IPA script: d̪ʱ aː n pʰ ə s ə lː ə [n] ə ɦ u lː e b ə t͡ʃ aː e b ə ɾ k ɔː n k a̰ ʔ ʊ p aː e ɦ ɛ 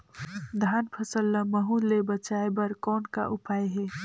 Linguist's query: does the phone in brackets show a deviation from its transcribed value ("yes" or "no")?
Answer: yes